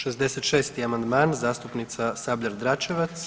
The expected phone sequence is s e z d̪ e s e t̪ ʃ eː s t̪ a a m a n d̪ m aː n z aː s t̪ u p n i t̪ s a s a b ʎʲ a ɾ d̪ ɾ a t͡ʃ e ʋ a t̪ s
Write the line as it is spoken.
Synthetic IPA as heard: ʃ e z d̪ e s e t̪ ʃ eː s t̪ i a m a n d̪ m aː n z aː s t̪ u p n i t̪ s a s a b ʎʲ a ɾ d̪ ɾ a t͡ʃ e ʋ a t̪ s